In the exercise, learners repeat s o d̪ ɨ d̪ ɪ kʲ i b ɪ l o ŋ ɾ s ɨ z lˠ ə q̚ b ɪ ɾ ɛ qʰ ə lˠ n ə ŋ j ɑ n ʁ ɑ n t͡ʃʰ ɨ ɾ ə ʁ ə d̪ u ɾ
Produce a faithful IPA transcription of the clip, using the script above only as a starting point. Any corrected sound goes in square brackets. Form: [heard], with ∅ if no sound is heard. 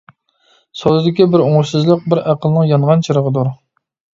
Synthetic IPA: s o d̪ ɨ d̪ ɪ kʲ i b ɪ [ɾ] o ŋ ɾ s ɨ z lˠ ə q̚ b ɪ ɾ [æ] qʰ ə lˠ n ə ŋ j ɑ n ʁ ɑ n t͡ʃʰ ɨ ɾ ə ʁ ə d̪ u ɾ